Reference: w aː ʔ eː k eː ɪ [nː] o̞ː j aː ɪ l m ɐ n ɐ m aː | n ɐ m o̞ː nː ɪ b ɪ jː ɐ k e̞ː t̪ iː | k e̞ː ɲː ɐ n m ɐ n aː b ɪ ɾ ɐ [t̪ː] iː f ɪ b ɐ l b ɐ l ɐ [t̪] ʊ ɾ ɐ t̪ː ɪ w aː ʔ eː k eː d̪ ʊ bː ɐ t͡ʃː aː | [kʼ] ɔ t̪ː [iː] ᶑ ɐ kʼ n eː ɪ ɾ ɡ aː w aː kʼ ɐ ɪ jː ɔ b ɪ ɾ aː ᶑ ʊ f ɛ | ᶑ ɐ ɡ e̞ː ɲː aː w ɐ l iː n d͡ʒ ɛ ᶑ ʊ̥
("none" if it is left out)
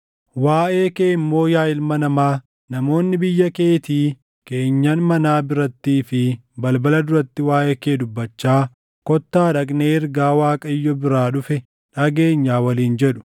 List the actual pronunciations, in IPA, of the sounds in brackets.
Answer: mː, t̪ː, d̪, k, aː

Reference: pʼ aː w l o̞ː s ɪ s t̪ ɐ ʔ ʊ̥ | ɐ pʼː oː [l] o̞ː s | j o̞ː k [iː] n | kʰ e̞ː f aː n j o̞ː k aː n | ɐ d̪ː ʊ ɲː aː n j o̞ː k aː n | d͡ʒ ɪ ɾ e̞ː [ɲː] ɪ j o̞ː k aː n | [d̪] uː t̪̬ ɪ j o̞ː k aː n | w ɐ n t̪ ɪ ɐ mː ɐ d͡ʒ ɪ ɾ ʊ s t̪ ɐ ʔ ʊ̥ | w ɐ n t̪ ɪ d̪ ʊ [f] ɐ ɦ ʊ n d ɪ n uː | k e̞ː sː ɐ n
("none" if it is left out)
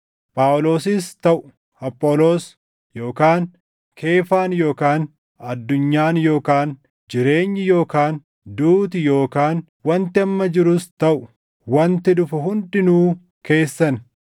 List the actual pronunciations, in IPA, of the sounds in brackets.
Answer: l, aː, ɲː, d̪, f

